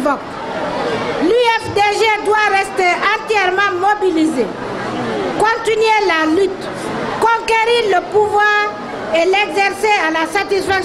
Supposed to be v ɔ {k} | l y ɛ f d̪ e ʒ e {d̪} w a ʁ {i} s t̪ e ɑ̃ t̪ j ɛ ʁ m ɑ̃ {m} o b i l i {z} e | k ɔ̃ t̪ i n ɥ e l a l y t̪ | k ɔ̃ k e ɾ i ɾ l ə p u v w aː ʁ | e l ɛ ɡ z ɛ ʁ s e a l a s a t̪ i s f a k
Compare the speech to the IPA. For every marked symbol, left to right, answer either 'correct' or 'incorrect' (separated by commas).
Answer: correct, correct, incorrect, correct, correct